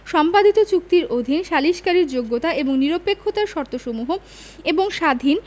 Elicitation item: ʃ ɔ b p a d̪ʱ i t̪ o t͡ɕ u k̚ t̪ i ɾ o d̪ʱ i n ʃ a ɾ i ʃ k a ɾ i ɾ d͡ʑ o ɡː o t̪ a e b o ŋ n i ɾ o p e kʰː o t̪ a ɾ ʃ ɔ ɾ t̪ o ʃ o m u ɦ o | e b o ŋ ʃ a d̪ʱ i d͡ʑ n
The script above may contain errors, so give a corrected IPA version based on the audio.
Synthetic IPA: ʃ ɔ m p a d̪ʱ i t̪ o t͡ɕ u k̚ t̪ i ɾ o d̪ʱ i n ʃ a l i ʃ k a ɾ i ɾ d͡ʑ o ɡː o t̪ a e b o ŋ n i ɾ o p e kʰː o t̪ a ɾ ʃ ɔ ɾ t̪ o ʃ o m u ɦ o | e b o ŋ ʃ a d̪ʱ i n